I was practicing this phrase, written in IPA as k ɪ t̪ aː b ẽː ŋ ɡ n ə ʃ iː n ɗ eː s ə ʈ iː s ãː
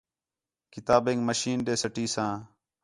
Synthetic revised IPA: k ɪ t̪ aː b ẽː ŋ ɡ m ə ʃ iː n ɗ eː s ə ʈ iː s ãː